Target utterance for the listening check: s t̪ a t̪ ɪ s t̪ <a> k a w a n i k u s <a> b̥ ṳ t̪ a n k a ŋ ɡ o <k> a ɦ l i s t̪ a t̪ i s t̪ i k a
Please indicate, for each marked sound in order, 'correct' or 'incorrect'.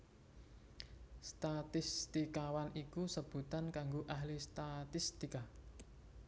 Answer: incorrect: i, incorrect: ə, incorrect: ʔ

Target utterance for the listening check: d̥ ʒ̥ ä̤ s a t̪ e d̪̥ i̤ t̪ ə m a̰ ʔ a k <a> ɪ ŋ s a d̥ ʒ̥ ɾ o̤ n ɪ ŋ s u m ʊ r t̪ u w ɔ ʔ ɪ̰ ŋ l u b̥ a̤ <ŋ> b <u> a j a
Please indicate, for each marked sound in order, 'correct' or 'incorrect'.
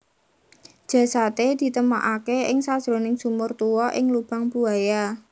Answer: incorrect: e, correct, correct

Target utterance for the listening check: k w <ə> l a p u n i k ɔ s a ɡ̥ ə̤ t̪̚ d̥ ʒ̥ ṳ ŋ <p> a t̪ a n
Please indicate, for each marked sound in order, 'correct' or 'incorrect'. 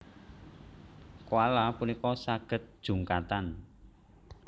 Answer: incorrect: a, incorrect: k

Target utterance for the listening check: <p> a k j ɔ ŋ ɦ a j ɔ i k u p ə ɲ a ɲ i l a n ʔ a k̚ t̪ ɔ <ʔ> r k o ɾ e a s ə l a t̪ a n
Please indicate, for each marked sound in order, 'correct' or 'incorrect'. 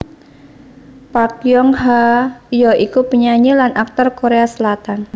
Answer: correct, incorrect: none

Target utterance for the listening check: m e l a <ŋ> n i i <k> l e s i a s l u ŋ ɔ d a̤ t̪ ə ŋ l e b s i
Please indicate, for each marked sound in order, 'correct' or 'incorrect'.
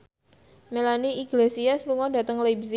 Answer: incorrect: none, incorrect: ɡ

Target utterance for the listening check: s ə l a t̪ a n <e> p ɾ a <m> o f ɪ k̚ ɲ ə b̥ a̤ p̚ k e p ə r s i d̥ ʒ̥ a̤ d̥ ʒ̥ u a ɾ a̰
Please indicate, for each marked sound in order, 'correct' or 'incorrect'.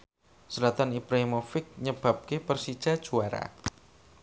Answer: incorrect: i, correct

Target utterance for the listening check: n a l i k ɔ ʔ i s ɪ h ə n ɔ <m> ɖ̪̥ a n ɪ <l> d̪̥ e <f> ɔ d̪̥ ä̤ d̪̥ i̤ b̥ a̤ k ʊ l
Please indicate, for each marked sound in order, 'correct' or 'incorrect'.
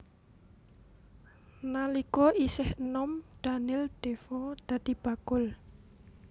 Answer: correct, correct, correct

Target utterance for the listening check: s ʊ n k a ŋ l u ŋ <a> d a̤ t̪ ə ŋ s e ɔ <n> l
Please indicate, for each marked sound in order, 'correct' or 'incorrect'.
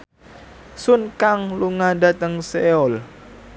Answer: correct, incorrect: none

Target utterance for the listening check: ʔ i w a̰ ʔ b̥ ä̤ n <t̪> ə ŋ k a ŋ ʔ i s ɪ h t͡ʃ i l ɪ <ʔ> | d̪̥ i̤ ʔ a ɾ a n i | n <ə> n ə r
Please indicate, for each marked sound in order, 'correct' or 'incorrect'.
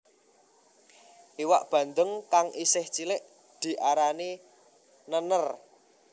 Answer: incorrect: d̪, correct, correct

